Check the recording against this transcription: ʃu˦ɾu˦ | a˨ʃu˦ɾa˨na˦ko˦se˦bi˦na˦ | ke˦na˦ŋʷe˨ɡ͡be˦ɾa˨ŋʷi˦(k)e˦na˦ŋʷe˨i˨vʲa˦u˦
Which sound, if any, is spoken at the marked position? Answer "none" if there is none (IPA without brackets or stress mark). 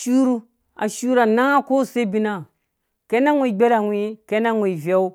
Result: k